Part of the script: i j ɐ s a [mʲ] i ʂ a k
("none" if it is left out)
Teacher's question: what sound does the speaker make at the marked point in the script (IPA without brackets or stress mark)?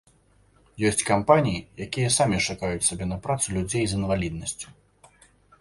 mʲ